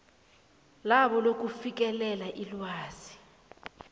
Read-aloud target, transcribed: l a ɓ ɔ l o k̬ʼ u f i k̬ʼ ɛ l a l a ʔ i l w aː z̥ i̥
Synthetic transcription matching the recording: l a ɓ ɔ l o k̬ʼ u f i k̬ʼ ɛ l ɛ l a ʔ i l w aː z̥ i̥